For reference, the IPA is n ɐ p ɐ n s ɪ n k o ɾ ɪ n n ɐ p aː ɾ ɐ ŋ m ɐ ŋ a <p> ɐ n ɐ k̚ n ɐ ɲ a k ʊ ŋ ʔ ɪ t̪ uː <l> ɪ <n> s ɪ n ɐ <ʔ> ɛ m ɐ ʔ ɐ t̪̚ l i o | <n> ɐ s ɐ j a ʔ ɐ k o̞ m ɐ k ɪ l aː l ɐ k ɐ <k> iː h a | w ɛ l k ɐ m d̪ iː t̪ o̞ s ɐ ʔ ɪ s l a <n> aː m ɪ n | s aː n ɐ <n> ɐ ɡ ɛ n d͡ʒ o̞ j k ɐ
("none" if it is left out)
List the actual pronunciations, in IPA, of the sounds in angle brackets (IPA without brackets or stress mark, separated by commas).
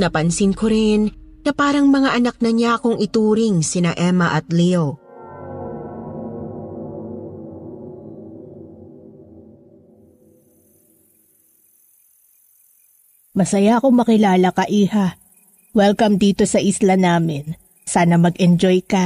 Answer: ʔ, ɾ, ŋ, ʔ, m, ʔ, n, m